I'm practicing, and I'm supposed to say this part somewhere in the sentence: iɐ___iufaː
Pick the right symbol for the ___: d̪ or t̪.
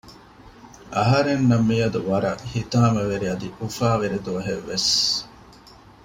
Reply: d̪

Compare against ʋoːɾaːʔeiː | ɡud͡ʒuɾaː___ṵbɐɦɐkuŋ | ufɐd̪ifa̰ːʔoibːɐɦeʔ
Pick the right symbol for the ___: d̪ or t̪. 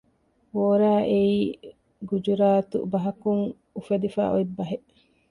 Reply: t̪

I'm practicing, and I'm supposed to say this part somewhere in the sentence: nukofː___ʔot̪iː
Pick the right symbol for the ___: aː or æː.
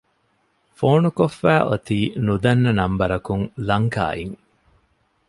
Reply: æː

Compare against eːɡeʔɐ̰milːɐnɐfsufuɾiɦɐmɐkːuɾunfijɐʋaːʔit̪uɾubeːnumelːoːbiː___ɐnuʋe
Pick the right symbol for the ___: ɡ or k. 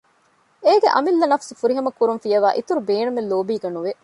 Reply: ɡ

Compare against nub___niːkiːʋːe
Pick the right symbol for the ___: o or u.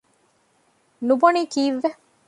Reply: o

